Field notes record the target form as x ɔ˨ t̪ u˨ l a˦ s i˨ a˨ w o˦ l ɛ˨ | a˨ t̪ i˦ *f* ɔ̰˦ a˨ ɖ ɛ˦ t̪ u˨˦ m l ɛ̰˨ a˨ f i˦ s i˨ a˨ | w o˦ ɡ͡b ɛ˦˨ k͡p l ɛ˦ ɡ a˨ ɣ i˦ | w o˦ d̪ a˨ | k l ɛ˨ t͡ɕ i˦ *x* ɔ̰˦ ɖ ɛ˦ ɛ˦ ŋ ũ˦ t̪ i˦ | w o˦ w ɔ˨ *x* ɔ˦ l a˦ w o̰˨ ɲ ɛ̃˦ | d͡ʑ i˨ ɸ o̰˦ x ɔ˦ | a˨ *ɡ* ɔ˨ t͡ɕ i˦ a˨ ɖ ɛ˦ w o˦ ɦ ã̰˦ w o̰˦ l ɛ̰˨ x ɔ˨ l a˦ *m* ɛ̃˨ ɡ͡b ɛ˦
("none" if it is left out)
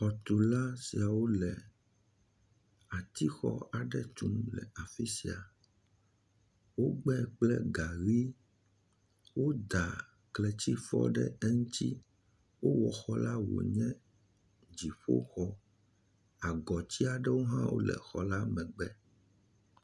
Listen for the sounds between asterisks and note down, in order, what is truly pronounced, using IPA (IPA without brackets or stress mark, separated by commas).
x, f, x, ɡ, m